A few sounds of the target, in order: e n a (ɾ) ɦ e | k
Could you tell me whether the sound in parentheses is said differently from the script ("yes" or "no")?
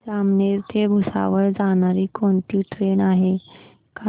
yes